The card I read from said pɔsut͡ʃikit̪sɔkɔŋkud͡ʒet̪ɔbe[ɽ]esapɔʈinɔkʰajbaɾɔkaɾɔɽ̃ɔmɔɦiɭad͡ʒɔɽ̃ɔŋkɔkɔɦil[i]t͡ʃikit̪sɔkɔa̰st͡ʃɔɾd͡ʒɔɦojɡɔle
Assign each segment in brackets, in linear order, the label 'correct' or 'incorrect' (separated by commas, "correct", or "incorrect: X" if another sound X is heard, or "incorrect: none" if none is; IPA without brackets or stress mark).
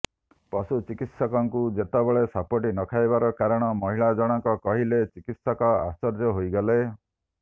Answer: incorrect: ɭ, incorrect: e